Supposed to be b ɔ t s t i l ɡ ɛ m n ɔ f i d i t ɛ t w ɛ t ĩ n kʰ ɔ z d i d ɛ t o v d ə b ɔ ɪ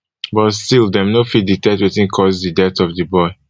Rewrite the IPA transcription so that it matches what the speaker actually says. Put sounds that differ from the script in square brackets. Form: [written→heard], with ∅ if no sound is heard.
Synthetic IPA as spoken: b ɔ t s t i l [ɡ→d] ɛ m n [ɔ→o] f i d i t ɛ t w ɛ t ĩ n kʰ ɔ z d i d ɛ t [o→ɔ] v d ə b ɔ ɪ